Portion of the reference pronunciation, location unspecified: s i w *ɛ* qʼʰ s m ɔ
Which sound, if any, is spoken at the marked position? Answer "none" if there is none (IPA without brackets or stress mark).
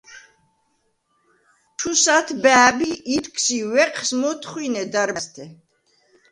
ɛ